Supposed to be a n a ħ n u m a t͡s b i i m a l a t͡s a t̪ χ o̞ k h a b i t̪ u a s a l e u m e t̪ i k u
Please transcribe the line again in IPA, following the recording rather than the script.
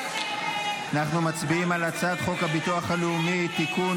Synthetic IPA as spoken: a n a χ n u m a t͡s b i i m a l a t͡s a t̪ χ o̞ k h a b i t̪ u a χ a l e u m i t̪ i k u